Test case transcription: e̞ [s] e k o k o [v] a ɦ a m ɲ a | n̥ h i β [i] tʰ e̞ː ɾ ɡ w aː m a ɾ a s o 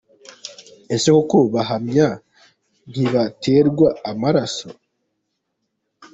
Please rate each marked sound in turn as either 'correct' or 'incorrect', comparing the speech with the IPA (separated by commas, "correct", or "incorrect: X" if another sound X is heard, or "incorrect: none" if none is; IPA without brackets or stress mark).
correct, incorrect: β, incorrect: a